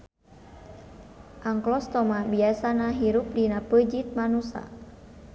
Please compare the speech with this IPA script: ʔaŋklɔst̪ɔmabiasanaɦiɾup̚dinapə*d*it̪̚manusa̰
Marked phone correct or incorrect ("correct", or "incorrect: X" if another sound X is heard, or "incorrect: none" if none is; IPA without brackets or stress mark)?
incorrect: d͡ʒ